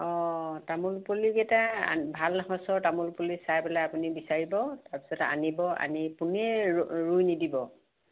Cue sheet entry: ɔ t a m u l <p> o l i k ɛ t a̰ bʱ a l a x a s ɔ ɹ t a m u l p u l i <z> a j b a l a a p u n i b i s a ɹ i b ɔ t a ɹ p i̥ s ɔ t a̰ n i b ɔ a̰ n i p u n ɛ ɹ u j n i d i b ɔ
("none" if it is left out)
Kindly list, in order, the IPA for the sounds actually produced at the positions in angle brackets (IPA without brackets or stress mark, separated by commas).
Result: p, s